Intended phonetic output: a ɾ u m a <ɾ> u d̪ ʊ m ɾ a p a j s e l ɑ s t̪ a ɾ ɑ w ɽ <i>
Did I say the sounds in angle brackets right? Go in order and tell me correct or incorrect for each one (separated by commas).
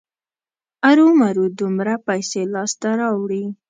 correct, correct